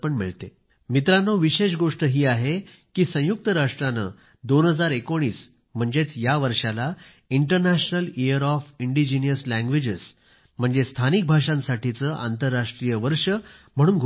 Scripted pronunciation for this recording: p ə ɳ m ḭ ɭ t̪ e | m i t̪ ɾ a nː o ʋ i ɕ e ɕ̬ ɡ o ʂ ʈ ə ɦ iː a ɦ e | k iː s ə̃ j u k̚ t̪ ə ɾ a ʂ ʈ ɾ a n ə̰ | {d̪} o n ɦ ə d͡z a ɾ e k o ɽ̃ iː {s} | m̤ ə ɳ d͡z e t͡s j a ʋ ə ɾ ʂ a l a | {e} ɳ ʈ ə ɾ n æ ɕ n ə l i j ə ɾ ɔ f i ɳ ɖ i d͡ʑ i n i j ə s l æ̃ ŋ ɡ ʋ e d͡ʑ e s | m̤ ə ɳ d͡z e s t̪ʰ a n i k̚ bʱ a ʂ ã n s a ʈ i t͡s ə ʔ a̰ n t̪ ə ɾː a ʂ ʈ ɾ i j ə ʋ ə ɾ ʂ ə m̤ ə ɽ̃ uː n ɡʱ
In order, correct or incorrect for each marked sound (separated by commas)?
correct, correct, incorrect